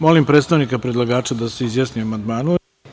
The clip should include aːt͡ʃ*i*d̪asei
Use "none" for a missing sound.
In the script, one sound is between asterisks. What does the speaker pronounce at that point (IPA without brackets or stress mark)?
a